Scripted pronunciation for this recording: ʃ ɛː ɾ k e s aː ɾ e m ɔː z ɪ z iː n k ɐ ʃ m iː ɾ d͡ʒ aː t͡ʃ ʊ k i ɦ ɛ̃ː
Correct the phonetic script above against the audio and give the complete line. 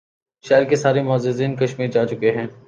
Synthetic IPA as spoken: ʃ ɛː ɾ k e s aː ɾ e m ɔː z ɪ z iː n k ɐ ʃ m iː ɾ d͡ʒ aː t͡ʃ ʊ k e ɦ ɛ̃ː